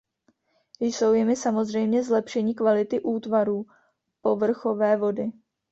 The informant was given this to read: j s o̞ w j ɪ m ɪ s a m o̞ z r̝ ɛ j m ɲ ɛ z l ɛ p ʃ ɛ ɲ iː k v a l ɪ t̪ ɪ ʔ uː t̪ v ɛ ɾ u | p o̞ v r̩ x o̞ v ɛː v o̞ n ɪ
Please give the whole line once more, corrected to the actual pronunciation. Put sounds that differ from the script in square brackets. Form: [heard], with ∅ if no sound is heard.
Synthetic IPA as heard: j s o̞ w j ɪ m ɪ s a m o̞ z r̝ ɛ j m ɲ ɛ z l ɛ p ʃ ɛ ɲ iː k v a l ɪ t̪ ɪ ʔ uː t̪ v [a] ɾ [uː] | p o̞ v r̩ x o̞ v ɛː v o̞ [d] ɪ